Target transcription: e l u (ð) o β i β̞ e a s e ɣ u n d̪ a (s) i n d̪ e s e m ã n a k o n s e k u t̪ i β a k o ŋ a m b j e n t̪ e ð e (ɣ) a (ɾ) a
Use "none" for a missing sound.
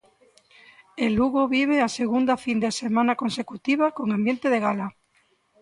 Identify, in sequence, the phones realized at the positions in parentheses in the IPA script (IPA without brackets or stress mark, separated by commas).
ɣ, f, ɣ, l